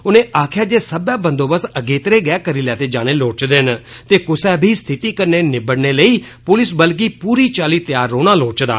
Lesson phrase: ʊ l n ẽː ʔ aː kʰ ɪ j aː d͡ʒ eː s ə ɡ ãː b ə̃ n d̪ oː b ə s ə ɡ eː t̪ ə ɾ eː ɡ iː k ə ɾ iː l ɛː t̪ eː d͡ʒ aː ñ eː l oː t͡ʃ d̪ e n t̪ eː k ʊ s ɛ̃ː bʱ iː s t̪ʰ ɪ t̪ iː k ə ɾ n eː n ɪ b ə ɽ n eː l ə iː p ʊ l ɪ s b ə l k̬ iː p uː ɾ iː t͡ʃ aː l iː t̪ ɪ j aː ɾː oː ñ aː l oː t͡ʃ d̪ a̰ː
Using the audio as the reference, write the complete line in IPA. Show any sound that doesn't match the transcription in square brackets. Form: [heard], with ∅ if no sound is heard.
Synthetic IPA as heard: ʊ [∅] n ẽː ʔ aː kʰ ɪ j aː d͡ʒ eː s ə [b] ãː b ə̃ n d̪ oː b ə s ə ɡ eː t̪ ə ɾ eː ɡ [ɛː] k ə ɾ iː l ɛː t̪ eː d͡ʒ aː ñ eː l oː t͡ʃ d̪ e n t̪ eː k ʊ s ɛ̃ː bʱ iː s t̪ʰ ɪ t̪ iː k ə ɾ n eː n ɪ b ə ɽ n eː l ə iː p ʊ l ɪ s b ə l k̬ iː p uː ɾ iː t͡ʃ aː l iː t̪ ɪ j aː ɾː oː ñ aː l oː t͡ʃ d̪ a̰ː

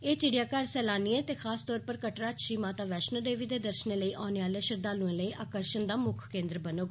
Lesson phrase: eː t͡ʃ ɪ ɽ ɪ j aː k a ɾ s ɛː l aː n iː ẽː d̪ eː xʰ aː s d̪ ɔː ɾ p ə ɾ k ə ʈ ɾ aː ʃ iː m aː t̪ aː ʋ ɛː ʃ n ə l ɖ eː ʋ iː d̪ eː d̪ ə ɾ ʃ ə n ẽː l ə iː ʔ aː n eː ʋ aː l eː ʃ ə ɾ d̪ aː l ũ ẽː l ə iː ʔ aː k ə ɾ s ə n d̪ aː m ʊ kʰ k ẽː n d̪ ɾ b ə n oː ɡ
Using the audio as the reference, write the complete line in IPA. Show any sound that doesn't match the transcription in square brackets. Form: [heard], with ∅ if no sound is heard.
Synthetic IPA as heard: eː t͡ʃ ɪ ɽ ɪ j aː k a ɾ s ɛː l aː n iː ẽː [t̪] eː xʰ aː s [t̪] ɔː ɾ p ə ɾ k ə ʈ ɾ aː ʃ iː m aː t̪ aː ʋ ɛː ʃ n ə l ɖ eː ʋ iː d̪ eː d̪ ə ɾ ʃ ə n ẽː l ə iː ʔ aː n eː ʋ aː l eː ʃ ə ɾ d̪ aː l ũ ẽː l ə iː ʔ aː k ə ɾ [ʃ] ə n d̪ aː m ʊ kʰ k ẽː n d̪ ɾ b ə n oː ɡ

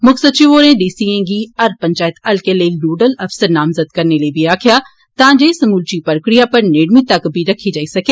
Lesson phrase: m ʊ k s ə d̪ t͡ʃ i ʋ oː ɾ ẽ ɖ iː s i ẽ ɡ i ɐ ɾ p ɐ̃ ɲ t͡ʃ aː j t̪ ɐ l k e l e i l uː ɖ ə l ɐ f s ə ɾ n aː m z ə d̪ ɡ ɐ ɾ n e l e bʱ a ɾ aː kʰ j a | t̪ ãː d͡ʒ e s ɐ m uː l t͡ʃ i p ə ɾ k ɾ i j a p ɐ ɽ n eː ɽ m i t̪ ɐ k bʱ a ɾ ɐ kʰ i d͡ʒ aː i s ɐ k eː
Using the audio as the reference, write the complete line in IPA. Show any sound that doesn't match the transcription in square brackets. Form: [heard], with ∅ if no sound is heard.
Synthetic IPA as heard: m ʊ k s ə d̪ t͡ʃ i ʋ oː ɾ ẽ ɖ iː s i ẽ ɡ i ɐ ɾ p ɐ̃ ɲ t͡ʃ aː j t̪ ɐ l k e l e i l uː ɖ ə l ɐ f s ə ɾ n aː m z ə d̪ [k] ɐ ɾ n e l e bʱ [i] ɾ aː kʰ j a | t̪ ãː d͡ʒ e s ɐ m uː l t͡ʃ i p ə ɾ k ɾ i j a p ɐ [ɾ] n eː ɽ m i t̪ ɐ k bʱ [i] ɾ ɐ kʰ i d͡ʒ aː i s ɐ k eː

